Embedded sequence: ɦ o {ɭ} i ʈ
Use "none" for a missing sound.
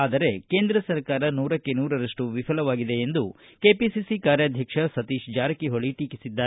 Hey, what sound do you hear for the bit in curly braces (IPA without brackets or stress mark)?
ɭ